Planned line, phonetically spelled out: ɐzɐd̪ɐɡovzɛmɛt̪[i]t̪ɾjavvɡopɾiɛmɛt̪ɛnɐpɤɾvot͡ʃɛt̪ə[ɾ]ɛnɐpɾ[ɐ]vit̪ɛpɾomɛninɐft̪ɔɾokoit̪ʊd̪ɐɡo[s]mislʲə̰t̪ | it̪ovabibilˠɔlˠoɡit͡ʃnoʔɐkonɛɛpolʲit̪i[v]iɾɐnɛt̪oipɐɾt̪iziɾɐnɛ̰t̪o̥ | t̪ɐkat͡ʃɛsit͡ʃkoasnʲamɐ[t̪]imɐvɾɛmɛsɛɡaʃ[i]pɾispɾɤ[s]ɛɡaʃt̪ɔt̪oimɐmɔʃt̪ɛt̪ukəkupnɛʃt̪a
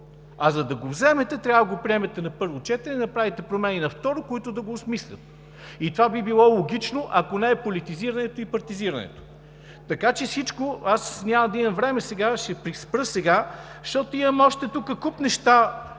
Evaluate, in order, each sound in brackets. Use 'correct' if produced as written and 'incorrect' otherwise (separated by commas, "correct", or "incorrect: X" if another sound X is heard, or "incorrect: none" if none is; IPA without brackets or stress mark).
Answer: incorrect: ɛ, correct, incorrect: a, correct, incorrect: z, incorrect: d̪, incorrect: ɛ, correct